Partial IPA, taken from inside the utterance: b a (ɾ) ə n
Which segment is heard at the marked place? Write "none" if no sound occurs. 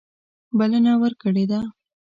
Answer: l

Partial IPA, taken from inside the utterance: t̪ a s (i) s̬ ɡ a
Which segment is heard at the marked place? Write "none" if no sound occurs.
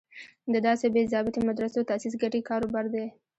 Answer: i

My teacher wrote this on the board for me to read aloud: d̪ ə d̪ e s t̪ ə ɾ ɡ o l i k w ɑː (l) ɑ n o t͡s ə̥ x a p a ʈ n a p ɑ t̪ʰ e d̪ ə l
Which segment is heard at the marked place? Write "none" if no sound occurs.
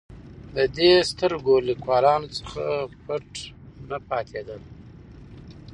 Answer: l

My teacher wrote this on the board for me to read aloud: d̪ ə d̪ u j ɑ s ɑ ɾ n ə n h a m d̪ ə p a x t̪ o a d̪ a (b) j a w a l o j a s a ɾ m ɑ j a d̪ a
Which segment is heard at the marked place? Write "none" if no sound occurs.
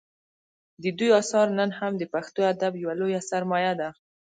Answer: b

